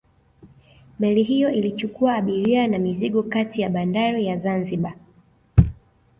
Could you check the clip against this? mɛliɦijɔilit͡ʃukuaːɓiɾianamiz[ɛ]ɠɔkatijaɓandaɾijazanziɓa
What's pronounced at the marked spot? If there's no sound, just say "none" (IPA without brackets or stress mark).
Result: i